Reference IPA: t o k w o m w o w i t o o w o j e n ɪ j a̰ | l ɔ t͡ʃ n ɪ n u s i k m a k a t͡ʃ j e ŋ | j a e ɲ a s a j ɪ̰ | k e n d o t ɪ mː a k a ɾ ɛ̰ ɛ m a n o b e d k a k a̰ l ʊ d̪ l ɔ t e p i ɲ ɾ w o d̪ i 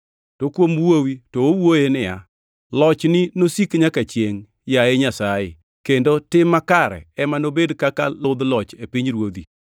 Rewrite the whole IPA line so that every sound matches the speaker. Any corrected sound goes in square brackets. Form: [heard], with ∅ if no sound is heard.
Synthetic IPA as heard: t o k w o m w o w i t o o w o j e n ɪ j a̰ | l ɔ t͡ʃ n ɪ n [o] s i k [ɲ] a k a t͡ʃ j e ŋ | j a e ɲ a s a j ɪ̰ | k e n d o t ɪ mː a k a ɾ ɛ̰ ɛ m a n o b e d k a k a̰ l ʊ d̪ l ɔ [t͡ʃ] e p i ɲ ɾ w o d̪ i